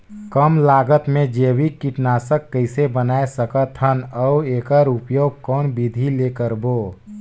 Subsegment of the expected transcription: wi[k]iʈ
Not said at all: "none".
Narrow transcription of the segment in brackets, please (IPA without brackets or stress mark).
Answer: k